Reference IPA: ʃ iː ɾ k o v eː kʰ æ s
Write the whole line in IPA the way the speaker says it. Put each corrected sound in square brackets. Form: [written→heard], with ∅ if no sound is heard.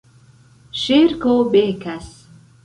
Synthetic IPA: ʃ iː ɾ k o [v→b] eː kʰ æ s